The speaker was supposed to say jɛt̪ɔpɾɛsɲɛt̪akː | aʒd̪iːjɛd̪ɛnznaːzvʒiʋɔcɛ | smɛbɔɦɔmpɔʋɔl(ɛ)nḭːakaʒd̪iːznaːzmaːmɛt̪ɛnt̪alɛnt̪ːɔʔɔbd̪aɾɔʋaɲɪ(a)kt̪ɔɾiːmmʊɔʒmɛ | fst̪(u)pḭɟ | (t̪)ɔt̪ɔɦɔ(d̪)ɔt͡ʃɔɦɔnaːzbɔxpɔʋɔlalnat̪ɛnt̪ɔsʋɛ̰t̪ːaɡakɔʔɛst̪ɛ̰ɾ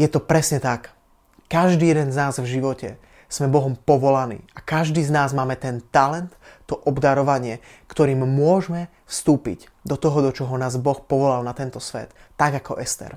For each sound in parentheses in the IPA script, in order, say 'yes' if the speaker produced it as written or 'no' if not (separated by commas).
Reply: no, no, no, no, yes